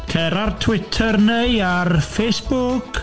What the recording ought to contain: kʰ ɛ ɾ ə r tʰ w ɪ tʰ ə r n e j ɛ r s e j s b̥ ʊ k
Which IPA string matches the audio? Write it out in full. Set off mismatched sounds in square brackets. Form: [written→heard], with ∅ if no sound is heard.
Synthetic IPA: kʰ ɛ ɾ [ə→a] r tʰ w ɪ tʰ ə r n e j [ɛ→a] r [s→f] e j s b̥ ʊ k